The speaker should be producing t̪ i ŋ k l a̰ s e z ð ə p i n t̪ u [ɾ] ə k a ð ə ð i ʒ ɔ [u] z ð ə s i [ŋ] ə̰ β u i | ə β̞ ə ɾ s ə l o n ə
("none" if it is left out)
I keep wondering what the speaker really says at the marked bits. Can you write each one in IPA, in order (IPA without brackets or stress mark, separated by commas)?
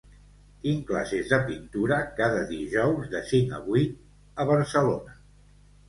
ɾ, w, ŋ